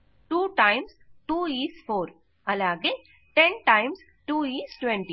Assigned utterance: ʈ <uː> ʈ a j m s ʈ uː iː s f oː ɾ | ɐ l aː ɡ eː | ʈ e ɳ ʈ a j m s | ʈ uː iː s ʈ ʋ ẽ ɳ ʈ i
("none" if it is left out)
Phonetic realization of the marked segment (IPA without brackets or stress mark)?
uː